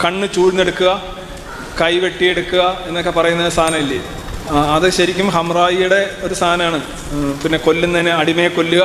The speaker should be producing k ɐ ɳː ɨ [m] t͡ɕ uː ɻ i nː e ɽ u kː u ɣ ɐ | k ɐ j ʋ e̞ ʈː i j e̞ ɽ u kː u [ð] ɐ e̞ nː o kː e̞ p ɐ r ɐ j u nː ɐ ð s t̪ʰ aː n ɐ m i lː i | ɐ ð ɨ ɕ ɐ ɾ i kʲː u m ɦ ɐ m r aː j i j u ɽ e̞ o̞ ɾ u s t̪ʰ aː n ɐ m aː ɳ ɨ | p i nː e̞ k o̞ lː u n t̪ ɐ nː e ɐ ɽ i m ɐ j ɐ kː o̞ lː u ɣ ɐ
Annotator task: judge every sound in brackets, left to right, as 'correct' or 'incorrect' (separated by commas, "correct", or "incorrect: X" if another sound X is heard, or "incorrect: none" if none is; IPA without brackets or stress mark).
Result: incorrect: none, incorrect: ɣ